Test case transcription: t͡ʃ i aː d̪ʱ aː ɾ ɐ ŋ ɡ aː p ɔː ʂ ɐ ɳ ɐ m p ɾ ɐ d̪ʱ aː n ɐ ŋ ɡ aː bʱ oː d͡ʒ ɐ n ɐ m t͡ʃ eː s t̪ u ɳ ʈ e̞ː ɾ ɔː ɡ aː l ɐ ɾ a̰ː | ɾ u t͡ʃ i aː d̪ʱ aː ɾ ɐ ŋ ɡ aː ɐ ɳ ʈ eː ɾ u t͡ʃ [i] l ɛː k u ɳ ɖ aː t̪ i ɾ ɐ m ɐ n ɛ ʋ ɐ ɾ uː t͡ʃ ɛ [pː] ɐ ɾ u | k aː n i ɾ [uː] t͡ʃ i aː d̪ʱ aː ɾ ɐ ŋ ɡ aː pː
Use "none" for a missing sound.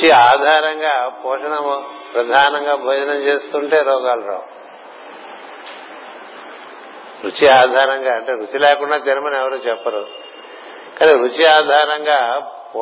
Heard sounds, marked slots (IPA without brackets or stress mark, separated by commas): i, pː, u